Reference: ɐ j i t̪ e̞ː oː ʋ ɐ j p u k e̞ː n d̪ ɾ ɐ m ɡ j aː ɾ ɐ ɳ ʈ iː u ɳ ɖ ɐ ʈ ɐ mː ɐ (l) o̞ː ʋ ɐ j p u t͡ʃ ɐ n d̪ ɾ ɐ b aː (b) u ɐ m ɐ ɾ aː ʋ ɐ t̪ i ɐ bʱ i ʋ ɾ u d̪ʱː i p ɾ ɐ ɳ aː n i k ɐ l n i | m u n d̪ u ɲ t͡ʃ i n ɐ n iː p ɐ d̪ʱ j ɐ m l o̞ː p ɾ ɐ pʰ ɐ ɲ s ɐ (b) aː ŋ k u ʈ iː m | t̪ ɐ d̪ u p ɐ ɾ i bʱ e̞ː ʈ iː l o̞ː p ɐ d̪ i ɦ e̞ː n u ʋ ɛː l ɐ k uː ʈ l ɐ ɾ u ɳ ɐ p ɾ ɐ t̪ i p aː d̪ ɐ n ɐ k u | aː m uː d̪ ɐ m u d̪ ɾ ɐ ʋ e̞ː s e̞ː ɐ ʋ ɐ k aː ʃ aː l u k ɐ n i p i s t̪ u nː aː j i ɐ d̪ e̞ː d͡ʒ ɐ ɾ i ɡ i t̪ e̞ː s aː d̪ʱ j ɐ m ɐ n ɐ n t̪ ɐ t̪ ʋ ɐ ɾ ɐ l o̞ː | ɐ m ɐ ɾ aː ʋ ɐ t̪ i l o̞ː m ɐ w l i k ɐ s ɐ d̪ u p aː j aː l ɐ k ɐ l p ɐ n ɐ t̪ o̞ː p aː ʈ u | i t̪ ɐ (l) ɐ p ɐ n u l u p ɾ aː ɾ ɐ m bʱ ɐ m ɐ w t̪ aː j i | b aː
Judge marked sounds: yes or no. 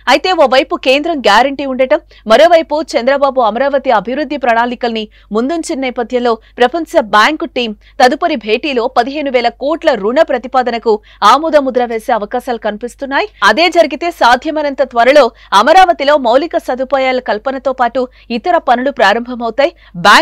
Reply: no, yes, yes, no

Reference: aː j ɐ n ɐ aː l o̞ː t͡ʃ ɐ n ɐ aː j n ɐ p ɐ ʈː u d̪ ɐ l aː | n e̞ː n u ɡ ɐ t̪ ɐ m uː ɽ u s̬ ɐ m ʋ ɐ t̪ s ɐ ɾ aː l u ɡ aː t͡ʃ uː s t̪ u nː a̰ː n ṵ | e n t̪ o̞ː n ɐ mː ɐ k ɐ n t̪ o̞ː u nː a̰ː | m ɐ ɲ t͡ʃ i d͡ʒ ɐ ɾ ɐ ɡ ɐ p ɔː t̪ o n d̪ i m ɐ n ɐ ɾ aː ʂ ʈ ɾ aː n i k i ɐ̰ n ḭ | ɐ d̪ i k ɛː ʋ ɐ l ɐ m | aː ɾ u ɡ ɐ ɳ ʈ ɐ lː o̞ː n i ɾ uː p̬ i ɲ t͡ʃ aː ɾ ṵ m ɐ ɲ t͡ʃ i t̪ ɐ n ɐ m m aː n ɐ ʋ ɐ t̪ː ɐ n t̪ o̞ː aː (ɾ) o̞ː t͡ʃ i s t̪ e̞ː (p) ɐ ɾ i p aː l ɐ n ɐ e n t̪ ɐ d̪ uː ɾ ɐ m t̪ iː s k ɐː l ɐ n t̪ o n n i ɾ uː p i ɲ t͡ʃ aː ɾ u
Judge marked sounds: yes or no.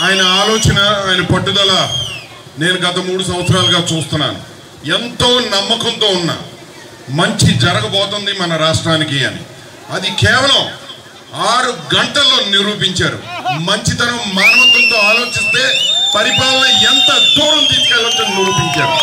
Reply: no, yes

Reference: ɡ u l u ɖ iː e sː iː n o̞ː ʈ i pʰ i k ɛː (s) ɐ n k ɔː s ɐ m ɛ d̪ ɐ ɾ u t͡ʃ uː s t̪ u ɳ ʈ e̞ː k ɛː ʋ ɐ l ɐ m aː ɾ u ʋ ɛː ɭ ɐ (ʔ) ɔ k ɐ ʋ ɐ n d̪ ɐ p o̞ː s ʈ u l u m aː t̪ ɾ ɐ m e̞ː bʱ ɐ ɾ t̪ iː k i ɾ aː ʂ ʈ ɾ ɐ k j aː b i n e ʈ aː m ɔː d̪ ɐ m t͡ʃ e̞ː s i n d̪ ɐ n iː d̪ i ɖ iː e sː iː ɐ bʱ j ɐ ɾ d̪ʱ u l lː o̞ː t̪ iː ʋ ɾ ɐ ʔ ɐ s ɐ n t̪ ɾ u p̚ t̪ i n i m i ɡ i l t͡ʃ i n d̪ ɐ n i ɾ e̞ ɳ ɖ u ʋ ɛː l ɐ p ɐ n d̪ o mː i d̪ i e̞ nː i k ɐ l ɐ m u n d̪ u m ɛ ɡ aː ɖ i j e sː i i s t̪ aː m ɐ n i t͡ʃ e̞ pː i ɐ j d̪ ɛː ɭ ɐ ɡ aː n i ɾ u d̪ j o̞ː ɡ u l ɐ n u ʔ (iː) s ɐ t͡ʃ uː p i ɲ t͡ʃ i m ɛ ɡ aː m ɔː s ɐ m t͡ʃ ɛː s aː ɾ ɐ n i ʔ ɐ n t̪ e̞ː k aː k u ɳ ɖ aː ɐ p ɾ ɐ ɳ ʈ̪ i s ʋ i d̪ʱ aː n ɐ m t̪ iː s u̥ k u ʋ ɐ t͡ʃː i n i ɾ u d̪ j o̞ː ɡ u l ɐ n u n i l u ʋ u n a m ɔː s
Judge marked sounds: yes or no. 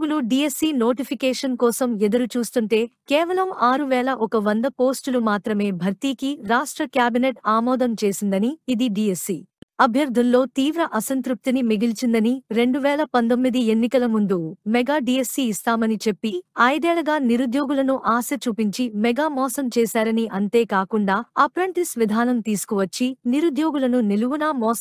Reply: no, yes, no

